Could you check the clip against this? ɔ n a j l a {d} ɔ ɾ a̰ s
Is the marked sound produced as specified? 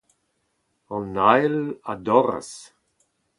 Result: yes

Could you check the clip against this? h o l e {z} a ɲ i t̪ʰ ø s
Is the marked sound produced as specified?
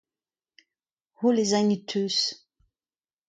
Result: yes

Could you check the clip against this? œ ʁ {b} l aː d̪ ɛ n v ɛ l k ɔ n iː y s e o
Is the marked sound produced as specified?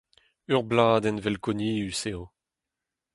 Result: yes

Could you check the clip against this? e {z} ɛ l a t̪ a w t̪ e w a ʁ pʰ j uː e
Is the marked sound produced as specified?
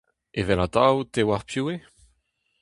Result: no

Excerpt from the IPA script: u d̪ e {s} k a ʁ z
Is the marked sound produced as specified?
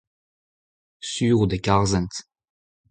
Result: no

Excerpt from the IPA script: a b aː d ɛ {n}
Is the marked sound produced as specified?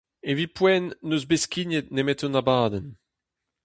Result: yes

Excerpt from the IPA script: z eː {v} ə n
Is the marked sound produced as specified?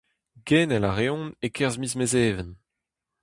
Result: yes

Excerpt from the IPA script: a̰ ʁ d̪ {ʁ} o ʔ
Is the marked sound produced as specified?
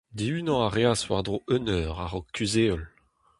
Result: yes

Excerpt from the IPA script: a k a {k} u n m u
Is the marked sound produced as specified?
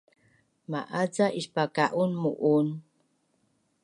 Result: no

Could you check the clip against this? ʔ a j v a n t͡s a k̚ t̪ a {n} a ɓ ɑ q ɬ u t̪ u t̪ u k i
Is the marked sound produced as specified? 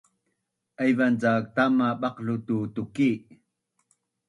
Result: no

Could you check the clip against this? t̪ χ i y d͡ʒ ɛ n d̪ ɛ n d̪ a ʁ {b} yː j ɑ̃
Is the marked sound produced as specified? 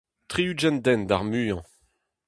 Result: no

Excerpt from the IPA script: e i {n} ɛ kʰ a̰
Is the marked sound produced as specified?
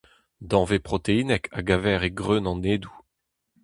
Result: yes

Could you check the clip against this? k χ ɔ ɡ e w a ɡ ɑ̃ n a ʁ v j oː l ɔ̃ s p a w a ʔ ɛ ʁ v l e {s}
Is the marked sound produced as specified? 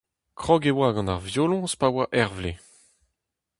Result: no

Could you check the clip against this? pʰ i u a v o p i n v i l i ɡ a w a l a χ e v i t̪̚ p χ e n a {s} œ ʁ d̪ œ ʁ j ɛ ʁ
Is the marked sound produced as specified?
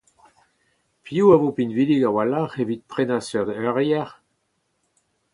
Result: yes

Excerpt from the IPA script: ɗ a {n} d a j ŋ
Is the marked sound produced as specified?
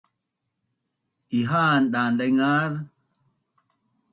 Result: yes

